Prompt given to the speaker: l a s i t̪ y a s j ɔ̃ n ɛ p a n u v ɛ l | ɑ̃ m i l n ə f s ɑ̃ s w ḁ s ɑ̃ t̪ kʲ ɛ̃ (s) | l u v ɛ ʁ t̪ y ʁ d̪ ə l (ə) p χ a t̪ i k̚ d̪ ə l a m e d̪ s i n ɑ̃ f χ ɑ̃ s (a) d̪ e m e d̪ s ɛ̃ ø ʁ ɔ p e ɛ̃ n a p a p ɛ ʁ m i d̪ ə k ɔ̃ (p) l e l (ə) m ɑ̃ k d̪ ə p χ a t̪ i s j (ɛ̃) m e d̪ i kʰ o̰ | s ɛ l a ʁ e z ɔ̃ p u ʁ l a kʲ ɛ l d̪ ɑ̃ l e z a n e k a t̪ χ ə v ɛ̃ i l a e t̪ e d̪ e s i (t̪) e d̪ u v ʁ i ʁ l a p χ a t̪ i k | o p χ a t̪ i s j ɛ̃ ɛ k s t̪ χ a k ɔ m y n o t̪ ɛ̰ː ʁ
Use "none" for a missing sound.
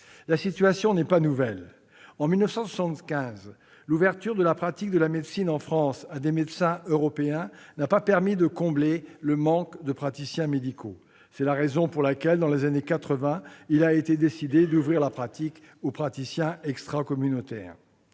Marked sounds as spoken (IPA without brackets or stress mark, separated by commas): z, a, a, b, ə, ɛ̃, d̪